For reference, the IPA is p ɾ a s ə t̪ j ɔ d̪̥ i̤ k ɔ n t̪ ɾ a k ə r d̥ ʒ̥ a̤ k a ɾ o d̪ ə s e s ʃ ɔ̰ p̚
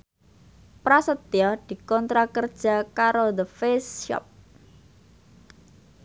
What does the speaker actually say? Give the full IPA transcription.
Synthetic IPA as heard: p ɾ a s ə t̪ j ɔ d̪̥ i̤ k ɔ n t̪ ɾ a k ə r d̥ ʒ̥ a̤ k a ɾ o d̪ ə f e s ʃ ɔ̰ p̚